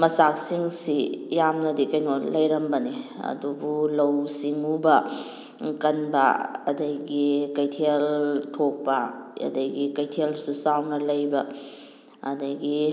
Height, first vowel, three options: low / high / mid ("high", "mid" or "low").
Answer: low